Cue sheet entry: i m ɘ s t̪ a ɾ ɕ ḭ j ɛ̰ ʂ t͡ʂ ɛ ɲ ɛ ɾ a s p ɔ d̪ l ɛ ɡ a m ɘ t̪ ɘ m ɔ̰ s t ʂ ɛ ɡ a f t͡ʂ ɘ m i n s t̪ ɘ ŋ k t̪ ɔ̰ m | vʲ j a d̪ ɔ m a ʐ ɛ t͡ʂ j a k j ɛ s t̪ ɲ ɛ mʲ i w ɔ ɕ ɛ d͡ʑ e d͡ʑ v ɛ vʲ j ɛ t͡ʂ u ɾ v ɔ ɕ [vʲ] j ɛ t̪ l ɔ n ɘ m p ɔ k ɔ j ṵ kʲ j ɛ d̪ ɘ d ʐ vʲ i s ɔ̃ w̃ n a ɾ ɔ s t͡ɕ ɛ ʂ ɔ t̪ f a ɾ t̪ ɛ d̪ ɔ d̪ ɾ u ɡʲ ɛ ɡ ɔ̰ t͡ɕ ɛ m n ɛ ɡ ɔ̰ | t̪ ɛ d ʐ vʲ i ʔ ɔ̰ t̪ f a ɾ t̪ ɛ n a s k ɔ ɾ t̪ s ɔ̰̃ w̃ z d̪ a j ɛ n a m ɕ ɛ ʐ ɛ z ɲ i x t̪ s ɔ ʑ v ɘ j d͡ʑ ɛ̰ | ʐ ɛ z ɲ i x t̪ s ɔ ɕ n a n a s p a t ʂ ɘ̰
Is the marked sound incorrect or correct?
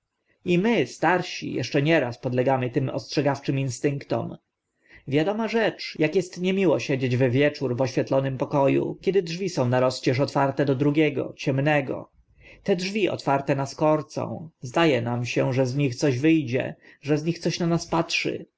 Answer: incorrect